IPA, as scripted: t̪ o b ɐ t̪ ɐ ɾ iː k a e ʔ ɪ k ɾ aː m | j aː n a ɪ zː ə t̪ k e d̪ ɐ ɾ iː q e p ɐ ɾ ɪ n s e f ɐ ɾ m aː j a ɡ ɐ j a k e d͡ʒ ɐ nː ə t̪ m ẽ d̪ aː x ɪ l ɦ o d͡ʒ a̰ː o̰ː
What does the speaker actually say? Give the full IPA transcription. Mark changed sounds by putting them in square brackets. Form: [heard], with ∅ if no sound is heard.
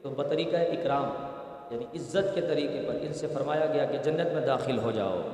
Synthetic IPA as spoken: t̪ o b ɐ t̪ ɐ ɾ iː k a e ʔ ɪ k ɾ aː m | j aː n [i] ɪ zː ə t̪ k e [t̪] ɐ ɾ iː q e p ɐ ɾ ɪ n s e f ɐ ɾ m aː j a ɡ ɐ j a k e d͡ʒ ɐ nː ə t̪ m ẽ d̪ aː x ɪ l ɦ o d͡ʒ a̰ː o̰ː